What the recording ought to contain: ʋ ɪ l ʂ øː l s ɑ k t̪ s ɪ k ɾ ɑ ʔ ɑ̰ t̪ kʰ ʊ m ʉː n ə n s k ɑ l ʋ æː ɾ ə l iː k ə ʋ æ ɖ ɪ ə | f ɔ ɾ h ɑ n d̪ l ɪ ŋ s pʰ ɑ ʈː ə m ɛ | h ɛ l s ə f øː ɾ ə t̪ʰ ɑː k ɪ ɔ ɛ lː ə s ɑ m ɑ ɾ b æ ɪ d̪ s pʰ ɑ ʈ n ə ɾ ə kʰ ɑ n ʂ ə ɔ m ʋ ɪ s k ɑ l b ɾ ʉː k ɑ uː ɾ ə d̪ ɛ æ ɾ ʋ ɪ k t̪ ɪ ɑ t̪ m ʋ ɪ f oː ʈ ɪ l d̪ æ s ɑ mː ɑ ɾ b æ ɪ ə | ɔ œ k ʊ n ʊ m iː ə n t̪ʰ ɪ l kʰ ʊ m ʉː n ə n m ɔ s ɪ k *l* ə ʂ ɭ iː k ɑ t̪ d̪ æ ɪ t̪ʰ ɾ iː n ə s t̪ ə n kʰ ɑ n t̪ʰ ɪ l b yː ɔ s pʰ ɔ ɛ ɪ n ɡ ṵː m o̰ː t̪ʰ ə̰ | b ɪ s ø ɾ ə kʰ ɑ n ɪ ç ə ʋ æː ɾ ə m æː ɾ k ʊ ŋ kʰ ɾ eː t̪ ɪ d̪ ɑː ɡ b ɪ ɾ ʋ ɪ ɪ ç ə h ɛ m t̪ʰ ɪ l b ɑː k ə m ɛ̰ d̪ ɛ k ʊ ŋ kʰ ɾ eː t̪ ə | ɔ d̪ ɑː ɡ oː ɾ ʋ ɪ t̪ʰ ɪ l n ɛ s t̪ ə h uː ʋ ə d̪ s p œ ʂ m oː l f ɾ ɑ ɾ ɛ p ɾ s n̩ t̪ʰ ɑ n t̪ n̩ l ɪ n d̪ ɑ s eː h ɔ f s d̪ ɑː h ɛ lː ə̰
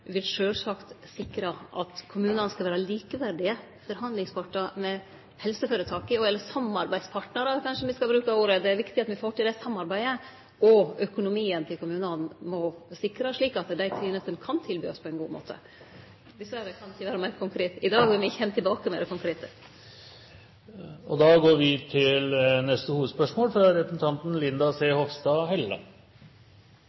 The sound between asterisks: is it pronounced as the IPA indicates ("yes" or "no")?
no